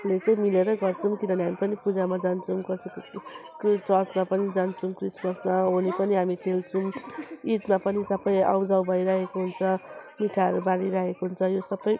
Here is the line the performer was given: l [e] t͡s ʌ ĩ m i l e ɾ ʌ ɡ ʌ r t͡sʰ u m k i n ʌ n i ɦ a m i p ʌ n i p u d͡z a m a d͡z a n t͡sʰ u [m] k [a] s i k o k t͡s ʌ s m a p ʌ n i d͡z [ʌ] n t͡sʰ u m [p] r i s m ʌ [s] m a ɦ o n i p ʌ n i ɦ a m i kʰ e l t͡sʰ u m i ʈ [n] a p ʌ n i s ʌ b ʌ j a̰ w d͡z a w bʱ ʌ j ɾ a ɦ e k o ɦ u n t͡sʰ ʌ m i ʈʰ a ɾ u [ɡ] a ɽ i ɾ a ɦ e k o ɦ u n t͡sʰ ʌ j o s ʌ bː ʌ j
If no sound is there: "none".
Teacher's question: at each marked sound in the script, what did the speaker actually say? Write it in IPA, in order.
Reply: e, m, ʌ, a, k, s, m, b

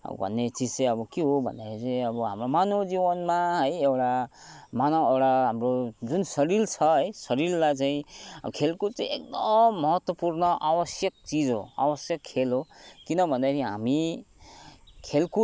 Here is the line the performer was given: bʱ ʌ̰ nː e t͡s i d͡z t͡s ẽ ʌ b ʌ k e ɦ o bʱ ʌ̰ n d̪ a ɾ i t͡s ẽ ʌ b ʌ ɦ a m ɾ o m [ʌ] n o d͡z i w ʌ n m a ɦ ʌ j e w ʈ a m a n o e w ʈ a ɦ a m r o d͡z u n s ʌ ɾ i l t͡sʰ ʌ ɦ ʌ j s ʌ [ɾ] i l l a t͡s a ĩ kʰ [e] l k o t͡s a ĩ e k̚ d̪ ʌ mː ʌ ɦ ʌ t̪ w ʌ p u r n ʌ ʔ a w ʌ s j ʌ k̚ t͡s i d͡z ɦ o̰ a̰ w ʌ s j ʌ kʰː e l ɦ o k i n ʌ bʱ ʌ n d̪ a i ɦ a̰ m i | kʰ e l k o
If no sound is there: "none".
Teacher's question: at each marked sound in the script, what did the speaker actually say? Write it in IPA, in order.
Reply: a, ɾ, e

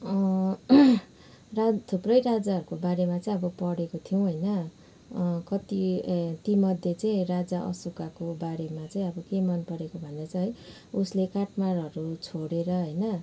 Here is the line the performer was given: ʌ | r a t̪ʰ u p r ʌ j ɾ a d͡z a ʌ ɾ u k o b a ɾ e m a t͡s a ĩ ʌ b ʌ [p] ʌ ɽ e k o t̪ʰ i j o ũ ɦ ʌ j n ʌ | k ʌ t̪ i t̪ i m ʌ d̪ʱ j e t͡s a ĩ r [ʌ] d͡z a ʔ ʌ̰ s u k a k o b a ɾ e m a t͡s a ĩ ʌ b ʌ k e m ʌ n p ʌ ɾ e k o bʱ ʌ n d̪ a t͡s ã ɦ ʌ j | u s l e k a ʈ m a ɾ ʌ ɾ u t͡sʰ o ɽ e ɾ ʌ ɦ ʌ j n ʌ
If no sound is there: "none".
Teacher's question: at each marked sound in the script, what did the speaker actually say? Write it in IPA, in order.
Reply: p, a

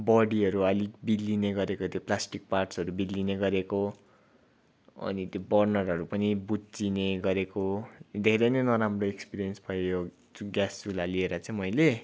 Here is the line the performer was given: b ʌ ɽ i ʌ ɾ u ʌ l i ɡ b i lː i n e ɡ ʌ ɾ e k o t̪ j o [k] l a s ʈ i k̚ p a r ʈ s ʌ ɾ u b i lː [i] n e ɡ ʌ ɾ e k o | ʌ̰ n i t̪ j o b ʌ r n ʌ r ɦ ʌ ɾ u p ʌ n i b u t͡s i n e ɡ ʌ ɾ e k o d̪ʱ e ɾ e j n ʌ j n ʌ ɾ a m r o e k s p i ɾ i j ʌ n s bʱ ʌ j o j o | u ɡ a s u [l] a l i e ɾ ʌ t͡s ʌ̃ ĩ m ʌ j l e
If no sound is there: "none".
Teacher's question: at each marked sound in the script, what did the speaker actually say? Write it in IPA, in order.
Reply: p, i, l

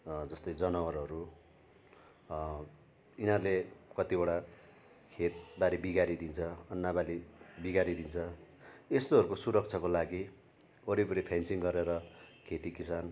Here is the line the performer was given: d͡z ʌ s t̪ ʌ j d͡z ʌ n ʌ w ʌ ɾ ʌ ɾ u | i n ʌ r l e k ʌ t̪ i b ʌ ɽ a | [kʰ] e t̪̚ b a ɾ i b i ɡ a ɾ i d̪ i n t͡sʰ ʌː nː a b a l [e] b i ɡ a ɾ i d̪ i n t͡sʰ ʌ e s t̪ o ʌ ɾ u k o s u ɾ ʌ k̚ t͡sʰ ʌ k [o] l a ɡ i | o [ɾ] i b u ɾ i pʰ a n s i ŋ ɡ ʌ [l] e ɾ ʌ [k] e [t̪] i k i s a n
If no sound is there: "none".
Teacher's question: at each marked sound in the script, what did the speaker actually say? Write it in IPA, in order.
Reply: kʰ, i, o, ɾ, ɾ, kʰ, t̪

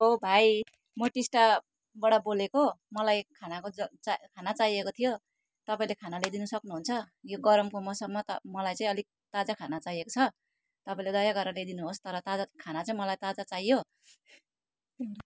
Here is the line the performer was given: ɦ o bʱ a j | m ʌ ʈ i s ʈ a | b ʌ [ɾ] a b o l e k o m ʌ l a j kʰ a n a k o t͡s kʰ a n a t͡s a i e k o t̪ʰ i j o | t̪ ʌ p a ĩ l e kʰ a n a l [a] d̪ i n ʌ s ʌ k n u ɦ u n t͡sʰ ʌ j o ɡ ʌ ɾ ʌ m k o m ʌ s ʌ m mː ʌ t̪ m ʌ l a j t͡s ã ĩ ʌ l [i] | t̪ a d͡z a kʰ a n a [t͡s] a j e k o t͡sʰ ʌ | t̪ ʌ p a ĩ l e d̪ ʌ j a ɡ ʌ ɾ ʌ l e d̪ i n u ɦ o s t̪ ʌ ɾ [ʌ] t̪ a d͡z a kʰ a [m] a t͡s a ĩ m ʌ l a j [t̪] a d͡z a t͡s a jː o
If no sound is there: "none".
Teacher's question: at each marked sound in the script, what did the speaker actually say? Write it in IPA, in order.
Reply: ɽ, e, i, t͡s, ʌ, n, t̪

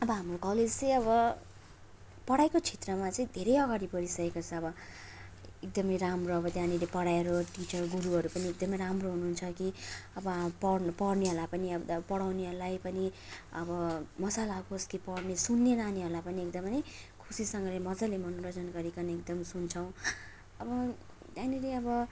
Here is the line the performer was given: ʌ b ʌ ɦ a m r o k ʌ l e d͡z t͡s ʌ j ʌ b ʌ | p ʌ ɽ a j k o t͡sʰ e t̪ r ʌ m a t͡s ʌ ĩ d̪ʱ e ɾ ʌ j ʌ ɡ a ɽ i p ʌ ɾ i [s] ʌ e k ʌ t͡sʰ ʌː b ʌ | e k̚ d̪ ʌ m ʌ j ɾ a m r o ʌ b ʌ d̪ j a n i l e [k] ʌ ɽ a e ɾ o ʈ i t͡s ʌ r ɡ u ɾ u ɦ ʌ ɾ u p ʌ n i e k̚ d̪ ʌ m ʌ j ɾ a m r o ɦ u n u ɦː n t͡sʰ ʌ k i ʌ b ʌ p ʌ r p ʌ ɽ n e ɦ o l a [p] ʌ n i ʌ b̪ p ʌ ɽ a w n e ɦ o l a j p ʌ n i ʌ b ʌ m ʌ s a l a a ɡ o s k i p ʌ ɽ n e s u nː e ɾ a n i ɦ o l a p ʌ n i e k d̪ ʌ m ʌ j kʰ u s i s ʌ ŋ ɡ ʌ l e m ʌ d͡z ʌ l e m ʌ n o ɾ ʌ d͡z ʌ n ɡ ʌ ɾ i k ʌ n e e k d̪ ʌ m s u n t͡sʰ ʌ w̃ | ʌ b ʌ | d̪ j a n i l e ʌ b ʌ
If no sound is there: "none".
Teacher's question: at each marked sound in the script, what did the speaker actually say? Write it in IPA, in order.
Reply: s, p, p

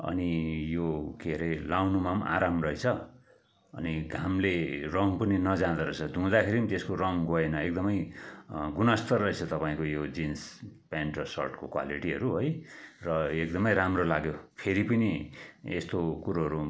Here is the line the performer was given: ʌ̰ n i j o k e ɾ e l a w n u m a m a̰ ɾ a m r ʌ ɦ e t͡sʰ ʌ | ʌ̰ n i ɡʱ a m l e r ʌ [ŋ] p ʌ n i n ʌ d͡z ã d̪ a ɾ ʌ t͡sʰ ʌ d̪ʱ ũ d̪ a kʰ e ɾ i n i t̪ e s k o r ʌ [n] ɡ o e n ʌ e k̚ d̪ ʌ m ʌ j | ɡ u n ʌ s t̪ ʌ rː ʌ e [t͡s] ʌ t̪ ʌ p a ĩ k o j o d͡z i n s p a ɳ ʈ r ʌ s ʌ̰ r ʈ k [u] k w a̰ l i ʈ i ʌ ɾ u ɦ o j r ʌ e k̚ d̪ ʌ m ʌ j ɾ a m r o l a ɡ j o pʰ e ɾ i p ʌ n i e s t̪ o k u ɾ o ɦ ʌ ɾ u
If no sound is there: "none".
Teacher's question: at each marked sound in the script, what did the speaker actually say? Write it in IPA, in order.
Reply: ŋ, ŋ, t͡sʰ, o

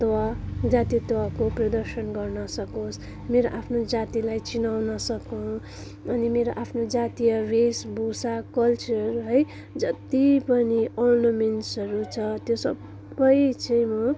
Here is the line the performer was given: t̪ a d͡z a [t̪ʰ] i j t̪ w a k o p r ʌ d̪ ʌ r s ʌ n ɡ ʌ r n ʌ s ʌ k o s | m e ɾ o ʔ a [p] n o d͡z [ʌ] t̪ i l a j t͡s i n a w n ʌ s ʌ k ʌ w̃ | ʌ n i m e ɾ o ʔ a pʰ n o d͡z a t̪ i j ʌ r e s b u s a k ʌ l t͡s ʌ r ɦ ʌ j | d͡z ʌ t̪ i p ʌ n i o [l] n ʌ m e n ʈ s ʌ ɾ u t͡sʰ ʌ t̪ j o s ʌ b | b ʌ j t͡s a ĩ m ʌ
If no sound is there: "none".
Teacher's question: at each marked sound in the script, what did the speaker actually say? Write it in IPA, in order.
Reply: t̪, pʰ, a, r

